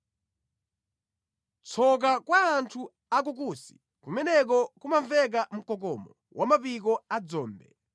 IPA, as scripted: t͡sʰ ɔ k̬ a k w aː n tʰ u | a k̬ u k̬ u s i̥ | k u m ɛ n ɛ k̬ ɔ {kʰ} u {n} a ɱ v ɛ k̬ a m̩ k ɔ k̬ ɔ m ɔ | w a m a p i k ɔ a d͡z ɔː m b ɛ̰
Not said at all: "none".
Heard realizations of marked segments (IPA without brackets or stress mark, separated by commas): k, m